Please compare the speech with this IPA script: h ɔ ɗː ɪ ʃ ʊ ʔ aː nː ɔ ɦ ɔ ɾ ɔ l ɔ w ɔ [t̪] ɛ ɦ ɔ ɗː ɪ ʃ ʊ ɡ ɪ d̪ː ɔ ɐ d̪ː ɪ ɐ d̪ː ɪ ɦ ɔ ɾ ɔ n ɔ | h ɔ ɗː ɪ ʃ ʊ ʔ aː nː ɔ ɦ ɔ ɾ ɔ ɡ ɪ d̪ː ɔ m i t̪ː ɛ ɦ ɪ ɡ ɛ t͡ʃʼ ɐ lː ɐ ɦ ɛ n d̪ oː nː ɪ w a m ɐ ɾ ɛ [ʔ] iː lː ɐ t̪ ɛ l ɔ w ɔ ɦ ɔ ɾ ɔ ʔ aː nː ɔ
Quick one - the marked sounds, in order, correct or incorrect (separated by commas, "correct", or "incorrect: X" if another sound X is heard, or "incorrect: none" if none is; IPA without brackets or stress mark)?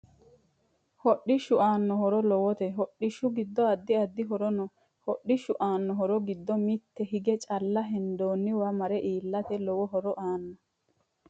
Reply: correct, correct